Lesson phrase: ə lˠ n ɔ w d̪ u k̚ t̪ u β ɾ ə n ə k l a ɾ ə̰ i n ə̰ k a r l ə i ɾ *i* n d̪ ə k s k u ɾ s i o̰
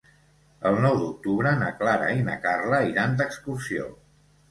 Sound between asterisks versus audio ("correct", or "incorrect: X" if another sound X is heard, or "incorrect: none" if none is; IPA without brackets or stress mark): incorrect: a